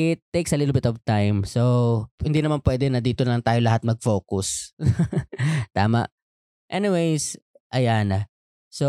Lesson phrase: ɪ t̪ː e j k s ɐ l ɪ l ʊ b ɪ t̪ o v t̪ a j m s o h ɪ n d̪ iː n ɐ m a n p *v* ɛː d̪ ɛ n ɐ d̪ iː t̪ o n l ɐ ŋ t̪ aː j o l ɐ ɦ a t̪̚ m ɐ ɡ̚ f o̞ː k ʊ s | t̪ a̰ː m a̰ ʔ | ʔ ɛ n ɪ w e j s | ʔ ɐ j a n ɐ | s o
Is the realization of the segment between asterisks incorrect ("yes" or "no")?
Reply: yes